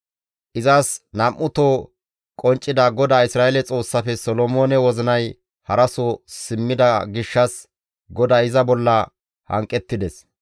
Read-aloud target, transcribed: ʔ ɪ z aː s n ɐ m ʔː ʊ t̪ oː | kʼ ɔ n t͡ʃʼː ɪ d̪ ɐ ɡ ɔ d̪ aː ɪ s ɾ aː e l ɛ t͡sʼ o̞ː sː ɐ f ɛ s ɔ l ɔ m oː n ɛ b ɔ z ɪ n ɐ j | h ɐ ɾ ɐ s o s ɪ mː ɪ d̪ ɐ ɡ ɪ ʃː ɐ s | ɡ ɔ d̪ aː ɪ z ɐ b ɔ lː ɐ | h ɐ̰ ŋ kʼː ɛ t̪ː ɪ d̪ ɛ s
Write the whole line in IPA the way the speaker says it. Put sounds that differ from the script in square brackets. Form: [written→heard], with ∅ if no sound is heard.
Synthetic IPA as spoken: ʔ ɪ z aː s n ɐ m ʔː ʊ t̪ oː | kʼ ɔ n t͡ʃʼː ɪ d̪ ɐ ɡ ɔ d̪ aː ɪ s ɾ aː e l ɛ t͡sʼ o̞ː sː ɐ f ɛ s ɔ l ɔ m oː n ɛ [b→w] ɔ z ɪ n ɐ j | h ɐ ɾ ɐ s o s ɪ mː ɪ d̪ ɐ ɡ ɪ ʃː ɐ s | ɡ ɔ d̪ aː ɪ z ɐ b ɔ lː ɐ | h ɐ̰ ŋ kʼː ɛ t̪ː ɪ d̪ ɛ s